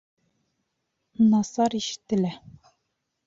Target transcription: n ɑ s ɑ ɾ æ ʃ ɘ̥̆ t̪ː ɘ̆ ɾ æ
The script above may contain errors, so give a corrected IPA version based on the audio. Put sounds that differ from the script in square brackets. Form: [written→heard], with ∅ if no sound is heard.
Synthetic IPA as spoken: n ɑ s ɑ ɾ [æ→i] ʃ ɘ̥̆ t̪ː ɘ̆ [ɾ→l] æ